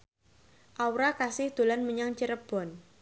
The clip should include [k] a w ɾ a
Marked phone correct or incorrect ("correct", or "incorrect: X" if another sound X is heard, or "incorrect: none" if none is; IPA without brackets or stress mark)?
incorrect: ʔ